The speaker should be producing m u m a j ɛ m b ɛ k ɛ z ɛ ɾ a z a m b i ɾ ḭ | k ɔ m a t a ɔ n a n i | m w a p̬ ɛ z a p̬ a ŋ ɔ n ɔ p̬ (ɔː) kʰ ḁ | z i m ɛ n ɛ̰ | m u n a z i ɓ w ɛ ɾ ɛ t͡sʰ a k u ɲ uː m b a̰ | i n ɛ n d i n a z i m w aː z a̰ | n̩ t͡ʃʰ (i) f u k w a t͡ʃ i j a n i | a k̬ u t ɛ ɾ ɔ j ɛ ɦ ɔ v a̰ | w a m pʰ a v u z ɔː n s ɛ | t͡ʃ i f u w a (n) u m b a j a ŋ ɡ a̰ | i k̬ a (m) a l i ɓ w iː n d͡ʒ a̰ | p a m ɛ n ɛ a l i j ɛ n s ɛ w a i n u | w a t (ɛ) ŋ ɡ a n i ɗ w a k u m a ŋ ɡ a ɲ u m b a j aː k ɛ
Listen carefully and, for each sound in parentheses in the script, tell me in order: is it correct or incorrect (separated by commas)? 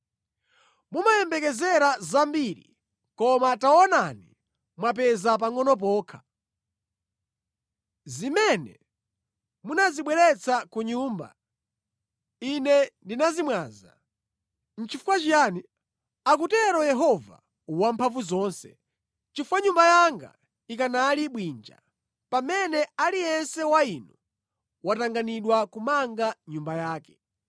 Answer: correct, correct, incorrect, incorrect, incorrect